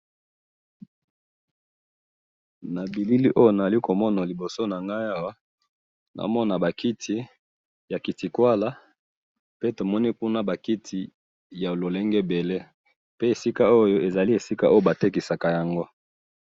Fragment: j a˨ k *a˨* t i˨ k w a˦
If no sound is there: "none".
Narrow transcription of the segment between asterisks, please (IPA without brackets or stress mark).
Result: i˨